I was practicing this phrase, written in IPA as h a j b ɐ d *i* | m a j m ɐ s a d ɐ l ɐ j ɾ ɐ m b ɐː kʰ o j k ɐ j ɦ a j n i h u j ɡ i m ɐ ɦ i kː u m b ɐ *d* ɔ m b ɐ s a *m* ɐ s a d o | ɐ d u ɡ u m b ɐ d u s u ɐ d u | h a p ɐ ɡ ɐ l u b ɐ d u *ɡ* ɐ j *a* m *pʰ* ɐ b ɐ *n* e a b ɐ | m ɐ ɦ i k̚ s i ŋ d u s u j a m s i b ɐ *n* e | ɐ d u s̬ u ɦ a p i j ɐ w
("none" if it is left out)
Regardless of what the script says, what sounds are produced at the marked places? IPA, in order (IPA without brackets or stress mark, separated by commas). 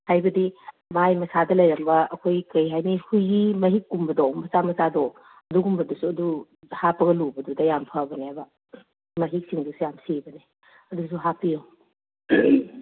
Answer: i, d, m, d, a, pʰ, n, n